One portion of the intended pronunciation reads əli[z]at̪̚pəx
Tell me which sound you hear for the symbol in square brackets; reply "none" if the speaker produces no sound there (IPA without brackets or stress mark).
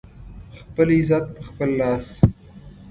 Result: z